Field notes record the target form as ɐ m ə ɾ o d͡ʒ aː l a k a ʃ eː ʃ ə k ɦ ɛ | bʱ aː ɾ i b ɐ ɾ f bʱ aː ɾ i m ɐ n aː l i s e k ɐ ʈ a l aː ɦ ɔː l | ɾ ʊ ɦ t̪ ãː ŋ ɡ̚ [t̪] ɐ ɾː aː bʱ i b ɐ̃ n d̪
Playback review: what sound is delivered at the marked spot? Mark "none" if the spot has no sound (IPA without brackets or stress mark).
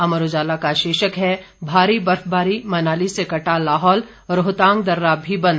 d̪